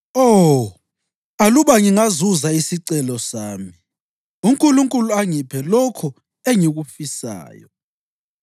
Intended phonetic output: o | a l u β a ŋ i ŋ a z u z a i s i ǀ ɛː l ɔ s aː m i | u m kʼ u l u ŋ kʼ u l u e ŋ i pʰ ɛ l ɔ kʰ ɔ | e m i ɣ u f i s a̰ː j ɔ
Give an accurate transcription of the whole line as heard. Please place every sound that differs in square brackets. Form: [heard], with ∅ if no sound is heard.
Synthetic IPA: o | a l u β a ŋ i ŋ a z u z a i s i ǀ [ɛ] l ɔ s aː m i | u [ŋ] kʼ u l u ŋ kʼ u l u [a] ŋ i pʰ ɛ l ɔ kʰ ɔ | e [ŋ] i ɣ u f i s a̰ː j ɔ